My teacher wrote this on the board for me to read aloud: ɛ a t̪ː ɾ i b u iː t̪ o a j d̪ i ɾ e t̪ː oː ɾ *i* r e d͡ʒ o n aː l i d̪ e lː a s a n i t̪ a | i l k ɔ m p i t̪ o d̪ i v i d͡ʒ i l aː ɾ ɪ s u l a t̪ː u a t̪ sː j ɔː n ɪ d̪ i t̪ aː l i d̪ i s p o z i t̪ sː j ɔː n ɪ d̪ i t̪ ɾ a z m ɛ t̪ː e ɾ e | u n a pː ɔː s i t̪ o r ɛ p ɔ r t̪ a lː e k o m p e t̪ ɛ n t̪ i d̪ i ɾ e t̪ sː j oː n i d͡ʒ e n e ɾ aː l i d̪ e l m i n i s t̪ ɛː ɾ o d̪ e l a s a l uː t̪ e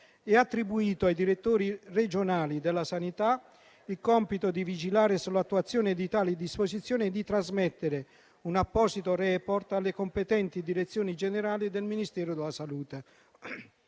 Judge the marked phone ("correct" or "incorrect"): correct